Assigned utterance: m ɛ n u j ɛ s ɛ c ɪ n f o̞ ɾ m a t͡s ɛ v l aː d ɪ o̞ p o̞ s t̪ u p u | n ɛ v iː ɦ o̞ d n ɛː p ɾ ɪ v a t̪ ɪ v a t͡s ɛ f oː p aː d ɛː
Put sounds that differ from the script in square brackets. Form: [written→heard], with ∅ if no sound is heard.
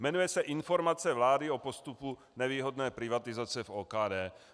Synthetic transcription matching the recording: m ɛ n u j ɛ s ɛ [c→ʔ] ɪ n f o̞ ɾ m a t͡s ɛ v l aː d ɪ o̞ p o̞ s t̪ u p u | n ɛ v iː ɦ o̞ d n ɛː p ɾ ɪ v a t̪ ɪ [v→z] a t͡s ɛ f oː [p→k] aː d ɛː